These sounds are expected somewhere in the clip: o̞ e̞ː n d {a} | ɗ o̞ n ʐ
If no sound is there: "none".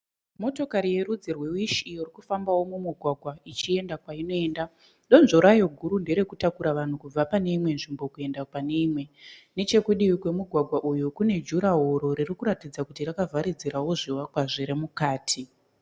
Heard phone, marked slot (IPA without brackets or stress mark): a